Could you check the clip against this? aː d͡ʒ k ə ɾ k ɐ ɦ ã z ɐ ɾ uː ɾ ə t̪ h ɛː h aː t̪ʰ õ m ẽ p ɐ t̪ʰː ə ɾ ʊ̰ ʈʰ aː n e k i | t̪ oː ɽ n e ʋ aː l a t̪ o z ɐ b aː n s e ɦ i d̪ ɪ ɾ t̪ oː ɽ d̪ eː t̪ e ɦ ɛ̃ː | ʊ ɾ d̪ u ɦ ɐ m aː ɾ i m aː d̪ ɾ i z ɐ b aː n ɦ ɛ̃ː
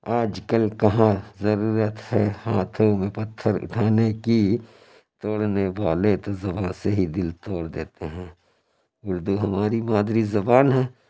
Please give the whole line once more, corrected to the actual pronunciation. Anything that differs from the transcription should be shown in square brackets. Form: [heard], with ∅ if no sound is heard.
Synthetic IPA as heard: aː d͡ʒ k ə [l] k ɐ ɦ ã z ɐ ɾ uː ɾ ə t̪ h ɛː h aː t̪ʰ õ m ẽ p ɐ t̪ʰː ə ɾ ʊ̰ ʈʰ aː n e k i | t̪ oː ɽ n e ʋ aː l [e] t̪ o z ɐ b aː n s e ɦ i d̪ ɪ [l] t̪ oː ɽ d̪ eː t̪ e ɦ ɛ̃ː | ʊ ɾ d̪ u ɦ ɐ m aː ɾ i m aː d̪ ɾ i z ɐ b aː n ɦ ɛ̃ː